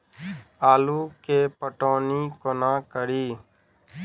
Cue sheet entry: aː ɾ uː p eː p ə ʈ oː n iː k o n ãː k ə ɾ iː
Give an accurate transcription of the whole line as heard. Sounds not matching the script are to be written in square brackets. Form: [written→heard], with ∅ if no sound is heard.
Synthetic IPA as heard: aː [ɾ→l] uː [p→k] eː p ə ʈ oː n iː k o n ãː k ə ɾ iː